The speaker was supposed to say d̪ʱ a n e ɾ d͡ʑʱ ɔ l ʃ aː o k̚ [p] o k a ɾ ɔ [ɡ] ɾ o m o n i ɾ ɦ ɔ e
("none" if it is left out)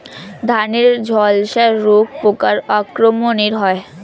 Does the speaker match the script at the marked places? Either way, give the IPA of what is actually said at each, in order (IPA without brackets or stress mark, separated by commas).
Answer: p, k